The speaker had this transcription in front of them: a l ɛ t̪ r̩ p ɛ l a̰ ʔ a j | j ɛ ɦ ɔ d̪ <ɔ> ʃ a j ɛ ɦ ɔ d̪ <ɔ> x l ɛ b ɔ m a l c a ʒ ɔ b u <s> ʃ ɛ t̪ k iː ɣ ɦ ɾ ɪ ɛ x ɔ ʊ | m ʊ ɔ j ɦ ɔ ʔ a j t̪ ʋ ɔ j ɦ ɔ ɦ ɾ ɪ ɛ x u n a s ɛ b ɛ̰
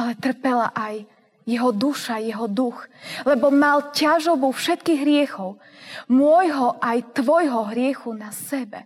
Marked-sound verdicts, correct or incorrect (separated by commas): incorrect, incorrect, incorrect